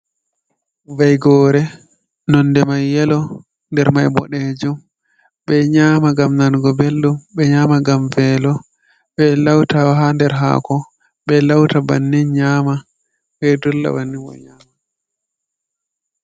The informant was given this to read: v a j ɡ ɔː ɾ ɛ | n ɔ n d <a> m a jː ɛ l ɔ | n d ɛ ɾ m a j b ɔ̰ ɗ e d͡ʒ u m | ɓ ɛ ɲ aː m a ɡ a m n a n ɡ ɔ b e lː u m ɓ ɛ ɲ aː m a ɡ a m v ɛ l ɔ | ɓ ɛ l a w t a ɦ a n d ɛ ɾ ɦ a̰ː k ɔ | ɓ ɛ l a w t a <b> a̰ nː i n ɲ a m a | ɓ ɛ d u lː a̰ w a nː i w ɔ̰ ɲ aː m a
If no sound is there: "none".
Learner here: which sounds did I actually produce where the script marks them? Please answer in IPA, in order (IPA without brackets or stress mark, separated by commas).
ɛ, b